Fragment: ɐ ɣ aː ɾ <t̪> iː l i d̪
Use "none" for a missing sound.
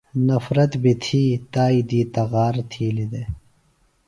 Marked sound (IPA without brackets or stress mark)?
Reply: t̪ʰ